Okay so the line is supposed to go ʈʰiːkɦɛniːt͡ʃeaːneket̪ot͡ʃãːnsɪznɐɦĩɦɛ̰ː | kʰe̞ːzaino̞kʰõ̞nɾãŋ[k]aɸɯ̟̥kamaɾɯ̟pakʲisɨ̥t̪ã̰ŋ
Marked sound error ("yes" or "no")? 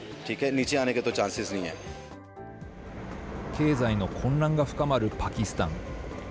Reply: yes